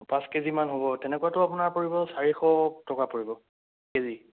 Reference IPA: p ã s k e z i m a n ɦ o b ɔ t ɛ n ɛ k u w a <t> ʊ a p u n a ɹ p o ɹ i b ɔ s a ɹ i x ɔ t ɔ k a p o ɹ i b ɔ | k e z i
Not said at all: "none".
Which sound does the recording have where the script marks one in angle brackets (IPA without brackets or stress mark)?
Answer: t